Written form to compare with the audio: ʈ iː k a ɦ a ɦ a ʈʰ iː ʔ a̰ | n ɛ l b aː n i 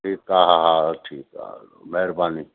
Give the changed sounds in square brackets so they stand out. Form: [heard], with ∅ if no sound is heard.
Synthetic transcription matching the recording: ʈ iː k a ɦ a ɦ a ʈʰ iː [k] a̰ | [m] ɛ [ɾ] b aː n i